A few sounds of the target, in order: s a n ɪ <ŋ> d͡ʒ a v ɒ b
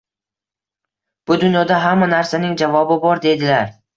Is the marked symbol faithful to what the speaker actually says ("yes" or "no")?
yes